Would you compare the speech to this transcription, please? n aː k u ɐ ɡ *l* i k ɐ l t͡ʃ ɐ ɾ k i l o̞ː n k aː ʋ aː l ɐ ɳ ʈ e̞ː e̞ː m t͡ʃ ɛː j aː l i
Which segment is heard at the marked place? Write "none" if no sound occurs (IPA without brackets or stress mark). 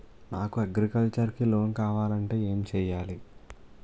ɾ